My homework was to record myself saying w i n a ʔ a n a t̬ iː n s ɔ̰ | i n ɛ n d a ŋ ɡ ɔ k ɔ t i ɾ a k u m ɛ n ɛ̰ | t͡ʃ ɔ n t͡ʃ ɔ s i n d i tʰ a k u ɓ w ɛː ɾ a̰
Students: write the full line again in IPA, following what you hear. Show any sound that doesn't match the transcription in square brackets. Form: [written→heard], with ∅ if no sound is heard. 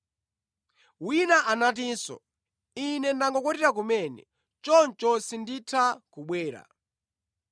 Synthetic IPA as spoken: w i n a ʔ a n a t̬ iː n s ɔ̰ | i n ɛ n d a ŋ ɡ ɔ k ɔ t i ɾ a k u m ɛ n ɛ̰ | t͡ʃ ɔ n t͡ʃ ɔ s i n d i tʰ a k u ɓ w ɛː ɾ a̰